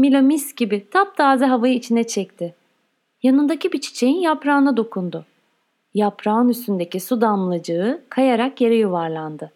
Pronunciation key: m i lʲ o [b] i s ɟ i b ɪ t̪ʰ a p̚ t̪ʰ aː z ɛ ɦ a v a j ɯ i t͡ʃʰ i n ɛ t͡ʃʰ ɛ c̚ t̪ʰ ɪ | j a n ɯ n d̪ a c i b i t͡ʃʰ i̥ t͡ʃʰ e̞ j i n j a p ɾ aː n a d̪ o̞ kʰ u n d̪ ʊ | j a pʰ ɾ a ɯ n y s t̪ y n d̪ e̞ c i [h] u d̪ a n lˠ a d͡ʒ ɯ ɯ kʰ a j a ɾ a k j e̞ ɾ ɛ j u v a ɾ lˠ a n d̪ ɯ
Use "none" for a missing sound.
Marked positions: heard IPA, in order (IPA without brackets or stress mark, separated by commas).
m, s